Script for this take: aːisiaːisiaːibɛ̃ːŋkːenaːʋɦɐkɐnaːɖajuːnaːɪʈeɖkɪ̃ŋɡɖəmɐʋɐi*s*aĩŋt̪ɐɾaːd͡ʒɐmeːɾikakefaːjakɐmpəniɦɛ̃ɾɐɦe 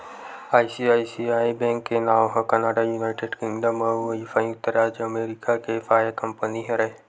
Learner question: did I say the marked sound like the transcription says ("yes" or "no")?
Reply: no